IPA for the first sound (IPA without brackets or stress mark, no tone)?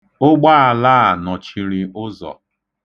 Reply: ʊ